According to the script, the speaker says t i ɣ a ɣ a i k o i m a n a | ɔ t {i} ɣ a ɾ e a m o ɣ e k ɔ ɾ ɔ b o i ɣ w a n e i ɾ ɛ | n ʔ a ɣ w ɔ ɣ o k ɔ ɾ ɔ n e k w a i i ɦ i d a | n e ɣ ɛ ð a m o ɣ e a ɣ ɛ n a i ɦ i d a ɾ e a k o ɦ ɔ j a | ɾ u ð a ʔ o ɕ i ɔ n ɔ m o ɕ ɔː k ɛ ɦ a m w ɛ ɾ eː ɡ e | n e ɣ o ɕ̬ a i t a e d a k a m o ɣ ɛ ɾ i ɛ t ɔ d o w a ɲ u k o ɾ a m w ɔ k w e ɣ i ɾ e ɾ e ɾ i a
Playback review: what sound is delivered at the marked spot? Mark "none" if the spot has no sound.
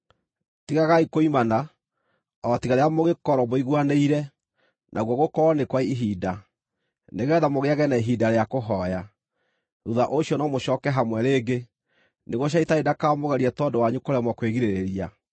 i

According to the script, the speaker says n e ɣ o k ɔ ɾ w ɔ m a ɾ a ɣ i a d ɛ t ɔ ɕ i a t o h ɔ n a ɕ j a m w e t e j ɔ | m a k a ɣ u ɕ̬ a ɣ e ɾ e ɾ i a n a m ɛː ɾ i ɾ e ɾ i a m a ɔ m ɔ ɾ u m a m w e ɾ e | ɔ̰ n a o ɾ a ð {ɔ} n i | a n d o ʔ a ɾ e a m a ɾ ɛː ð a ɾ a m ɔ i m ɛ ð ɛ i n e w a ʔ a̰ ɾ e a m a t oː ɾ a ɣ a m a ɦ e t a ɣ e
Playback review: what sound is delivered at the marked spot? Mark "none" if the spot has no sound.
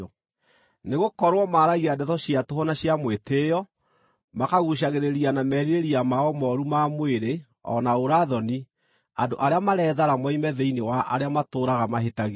ɔ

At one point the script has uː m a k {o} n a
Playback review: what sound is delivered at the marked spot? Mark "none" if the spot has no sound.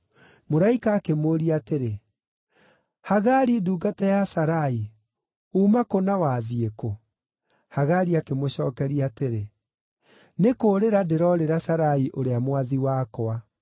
o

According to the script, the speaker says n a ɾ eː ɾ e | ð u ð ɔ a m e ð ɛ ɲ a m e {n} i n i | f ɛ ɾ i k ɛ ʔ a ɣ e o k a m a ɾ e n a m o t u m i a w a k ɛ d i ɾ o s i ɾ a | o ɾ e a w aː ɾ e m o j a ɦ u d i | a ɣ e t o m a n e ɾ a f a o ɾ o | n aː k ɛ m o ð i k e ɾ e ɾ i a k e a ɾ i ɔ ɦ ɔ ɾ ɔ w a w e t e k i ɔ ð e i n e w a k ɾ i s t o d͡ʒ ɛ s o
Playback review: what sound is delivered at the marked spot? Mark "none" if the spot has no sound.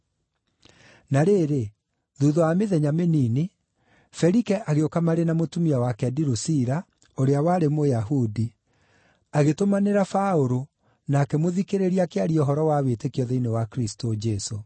n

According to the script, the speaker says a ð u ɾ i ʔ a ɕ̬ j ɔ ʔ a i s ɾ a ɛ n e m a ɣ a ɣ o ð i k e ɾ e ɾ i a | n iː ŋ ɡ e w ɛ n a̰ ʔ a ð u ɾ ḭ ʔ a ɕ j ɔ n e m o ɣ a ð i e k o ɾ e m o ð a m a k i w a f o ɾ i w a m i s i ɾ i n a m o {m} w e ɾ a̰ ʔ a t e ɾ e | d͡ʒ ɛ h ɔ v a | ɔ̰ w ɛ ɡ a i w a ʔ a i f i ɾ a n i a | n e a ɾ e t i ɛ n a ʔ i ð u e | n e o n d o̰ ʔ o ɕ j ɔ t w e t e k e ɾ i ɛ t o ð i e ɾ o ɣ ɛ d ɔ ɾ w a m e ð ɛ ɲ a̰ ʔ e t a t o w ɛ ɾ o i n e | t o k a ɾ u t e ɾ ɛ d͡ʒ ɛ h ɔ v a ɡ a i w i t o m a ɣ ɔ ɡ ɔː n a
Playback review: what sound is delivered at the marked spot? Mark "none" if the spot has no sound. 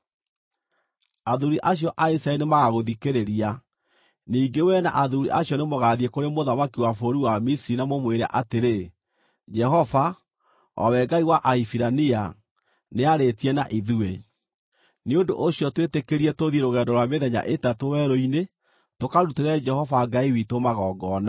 m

